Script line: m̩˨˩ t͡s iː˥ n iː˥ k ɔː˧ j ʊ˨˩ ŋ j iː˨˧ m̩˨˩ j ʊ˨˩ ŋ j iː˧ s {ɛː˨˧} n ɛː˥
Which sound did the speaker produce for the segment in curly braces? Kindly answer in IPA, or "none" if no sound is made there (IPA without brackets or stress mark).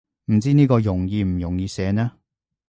ɛː˨˧